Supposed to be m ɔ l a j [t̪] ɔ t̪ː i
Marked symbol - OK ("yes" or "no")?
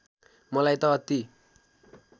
yes